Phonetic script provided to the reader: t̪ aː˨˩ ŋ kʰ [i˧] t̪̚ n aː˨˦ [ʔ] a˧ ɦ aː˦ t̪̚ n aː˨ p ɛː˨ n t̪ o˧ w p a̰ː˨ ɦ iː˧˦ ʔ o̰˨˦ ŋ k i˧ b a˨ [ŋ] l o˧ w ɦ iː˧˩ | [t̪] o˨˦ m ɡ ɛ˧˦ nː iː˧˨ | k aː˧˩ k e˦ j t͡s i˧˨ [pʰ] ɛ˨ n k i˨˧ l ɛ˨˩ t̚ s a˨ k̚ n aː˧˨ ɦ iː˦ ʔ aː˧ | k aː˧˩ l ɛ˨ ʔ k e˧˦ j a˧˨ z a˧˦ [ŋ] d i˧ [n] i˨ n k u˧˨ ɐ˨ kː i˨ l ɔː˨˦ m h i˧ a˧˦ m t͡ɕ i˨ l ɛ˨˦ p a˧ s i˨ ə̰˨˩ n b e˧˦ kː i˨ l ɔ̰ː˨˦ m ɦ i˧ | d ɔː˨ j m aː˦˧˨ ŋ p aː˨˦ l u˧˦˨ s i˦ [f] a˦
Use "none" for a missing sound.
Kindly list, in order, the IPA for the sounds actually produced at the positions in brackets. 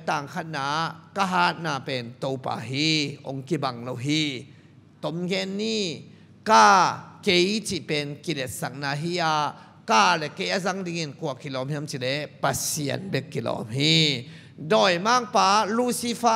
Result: a˧, k, ŋ, t̪, p, ŋ, ŋ, f

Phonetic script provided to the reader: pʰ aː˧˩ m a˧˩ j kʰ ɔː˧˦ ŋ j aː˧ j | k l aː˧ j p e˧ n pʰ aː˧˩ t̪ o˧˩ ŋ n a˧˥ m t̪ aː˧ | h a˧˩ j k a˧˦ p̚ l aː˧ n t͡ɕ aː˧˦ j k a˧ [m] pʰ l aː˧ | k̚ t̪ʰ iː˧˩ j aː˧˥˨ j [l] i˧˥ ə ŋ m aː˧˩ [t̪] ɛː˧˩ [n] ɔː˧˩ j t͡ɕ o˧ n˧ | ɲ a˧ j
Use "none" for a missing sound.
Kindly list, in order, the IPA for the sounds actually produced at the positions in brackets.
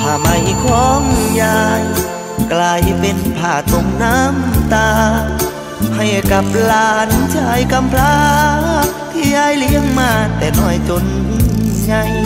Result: m, l, t̪, n

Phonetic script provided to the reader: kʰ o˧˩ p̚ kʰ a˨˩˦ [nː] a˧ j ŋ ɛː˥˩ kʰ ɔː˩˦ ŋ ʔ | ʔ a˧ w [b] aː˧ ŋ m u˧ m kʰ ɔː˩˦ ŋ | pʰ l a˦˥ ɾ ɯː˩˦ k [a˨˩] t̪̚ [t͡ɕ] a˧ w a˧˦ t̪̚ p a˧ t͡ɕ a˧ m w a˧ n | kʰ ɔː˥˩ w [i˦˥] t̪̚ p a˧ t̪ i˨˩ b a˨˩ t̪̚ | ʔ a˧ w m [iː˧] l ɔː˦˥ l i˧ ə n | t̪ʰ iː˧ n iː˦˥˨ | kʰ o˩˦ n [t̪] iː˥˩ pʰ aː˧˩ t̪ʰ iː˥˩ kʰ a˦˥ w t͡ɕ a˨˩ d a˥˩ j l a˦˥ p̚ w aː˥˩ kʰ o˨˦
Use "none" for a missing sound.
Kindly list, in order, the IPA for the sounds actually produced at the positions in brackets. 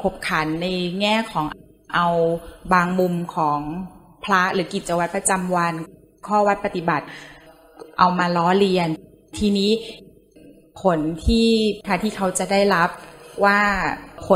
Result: nː, b, i˨˩, t͡ɕ, a˦˥, aː˧, t̪ʰ

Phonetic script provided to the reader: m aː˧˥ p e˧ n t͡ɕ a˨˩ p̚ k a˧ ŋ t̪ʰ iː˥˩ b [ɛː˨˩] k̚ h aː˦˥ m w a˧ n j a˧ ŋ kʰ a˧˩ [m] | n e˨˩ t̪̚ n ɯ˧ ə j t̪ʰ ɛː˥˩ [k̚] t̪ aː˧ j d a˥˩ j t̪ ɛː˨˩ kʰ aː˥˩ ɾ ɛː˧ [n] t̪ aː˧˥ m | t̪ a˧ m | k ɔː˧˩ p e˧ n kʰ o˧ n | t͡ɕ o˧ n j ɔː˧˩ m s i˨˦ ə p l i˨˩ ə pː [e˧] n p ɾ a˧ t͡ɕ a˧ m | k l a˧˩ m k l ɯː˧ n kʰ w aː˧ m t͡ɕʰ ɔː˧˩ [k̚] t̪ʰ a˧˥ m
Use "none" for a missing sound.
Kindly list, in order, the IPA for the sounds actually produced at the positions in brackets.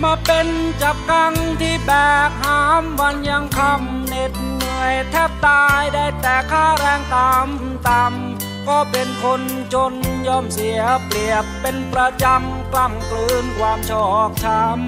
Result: ɛː˨˩, m, p̚, ŋ, e˧, k̚

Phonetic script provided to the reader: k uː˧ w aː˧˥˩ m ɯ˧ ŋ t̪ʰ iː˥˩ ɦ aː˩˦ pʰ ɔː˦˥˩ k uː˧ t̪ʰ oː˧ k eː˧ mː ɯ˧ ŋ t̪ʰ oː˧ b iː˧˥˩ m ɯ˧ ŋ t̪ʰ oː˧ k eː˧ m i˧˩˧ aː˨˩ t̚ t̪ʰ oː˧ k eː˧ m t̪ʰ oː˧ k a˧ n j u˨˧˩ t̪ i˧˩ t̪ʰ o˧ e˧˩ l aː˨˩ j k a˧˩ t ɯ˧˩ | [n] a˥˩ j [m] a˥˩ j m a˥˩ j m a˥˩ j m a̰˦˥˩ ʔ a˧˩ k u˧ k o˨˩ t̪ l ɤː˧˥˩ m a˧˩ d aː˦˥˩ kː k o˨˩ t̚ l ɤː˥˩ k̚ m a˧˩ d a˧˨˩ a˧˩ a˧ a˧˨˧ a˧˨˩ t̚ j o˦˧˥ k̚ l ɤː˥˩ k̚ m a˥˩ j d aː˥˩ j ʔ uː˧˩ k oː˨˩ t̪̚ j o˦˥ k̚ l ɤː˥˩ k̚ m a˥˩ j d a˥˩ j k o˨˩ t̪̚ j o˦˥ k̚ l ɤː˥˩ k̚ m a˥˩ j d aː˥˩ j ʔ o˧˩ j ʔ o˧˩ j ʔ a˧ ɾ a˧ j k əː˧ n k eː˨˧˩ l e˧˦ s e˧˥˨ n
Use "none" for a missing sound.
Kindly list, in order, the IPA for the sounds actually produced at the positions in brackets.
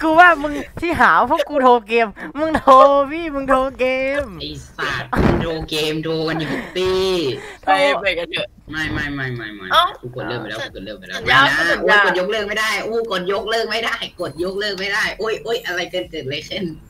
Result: m, m

